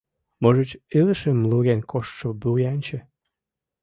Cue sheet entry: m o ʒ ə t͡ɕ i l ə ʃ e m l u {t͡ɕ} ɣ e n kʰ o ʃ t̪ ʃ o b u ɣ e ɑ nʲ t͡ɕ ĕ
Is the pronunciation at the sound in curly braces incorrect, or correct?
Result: incorrect